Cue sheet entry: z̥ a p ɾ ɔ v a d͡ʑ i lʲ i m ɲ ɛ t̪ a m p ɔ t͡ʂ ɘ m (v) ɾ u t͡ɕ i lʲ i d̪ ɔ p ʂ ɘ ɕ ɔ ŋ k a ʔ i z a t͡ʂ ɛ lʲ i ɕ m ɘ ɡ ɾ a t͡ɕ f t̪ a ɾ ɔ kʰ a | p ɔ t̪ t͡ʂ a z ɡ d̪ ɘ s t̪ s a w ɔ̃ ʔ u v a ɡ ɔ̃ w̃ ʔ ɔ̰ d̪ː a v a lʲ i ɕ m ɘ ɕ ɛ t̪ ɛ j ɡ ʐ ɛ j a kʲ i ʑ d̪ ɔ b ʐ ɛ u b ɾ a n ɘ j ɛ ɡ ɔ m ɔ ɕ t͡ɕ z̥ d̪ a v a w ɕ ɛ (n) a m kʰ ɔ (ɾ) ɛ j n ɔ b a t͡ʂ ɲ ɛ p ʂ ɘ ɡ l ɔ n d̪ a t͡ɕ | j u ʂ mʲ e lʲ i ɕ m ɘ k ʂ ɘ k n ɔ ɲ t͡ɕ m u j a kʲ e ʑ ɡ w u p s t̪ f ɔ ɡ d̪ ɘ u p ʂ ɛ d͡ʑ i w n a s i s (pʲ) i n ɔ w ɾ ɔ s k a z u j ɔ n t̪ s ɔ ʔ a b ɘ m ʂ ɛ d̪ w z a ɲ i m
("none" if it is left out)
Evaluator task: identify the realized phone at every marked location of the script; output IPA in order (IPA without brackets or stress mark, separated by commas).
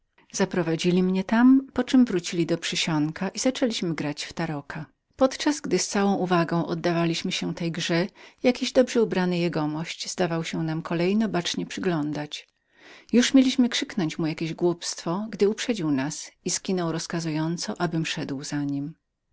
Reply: v, n, l, kʲ